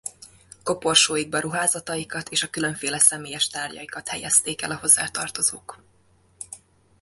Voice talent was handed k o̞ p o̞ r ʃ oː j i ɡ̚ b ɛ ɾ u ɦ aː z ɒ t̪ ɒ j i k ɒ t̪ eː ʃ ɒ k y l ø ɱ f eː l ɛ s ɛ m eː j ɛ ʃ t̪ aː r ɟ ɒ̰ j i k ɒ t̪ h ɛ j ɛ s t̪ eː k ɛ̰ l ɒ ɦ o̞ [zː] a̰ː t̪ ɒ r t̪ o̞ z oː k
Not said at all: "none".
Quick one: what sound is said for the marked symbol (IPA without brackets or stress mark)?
zː